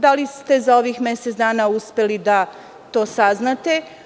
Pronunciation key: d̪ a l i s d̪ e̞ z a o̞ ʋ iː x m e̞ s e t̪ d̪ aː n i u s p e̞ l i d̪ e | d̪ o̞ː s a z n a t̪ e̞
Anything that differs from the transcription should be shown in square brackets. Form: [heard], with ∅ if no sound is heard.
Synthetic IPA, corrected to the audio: d̪ a l i s [t̪] e̞ z a o̞ ʋ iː x m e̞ s e t̪ d̪ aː n [a] u s p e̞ l i d̪ [a] | [t̪] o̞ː s a z n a t̪ e̞